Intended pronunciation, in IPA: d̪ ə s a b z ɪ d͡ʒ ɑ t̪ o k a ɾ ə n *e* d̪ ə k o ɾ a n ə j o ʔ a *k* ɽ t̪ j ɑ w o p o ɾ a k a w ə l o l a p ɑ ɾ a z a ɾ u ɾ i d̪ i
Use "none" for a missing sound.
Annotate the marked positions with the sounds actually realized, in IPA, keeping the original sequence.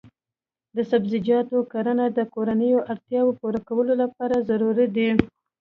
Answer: a, none

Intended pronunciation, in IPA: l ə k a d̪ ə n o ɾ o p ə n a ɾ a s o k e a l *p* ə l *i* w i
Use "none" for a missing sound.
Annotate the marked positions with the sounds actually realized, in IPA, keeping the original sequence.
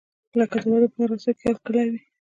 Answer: k, a

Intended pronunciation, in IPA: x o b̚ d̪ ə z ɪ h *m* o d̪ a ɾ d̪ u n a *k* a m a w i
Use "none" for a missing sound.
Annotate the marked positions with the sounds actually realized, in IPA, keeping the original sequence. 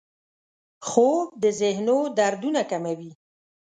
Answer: n, k

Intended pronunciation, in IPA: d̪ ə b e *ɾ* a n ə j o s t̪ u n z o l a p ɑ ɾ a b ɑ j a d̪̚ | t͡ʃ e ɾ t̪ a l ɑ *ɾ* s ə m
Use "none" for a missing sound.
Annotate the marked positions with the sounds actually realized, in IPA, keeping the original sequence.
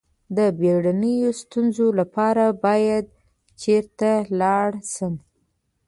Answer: ɽ, ɽ

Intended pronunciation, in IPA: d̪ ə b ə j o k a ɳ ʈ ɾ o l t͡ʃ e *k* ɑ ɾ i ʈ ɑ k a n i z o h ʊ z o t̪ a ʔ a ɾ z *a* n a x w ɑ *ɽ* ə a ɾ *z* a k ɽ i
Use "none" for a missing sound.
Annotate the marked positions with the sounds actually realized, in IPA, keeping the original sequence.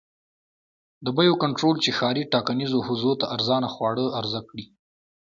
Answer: x, ɑ, ɽ, z

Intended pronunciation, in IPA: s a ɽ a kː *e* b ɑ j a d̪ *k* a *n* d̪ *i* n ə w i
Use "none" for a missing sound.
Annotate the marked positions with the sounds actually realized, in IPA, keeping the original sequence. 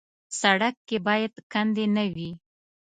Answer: e, k, n, e

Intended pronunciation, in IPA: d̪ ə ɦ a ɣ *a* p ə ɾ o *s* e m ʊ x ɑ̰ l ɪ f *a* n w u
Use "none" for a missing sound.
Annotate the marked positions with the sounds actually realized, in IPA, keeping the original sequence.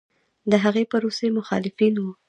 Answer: e, s, i

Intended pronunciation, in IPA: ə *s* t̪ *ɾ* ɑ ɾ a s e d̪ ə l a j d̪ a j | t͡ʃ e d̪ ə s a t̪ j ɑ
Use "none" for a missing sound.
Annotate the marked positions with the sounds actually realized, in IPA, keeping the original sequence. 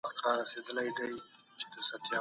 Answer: x, ɾ

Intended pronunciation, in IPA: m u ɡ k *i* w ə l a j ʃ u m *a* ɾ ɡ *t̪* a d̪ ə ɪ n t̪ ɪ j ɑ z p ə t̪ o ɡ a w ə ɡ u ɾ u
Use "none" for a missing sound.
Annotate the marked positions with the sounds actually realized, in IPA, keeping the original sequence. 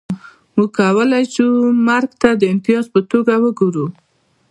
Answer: a, a, t̪

